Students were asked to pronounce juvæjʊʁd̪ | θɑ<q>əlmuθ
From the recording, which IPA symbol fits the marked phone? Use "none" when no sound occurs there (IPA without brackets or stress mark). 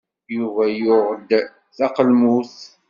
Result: q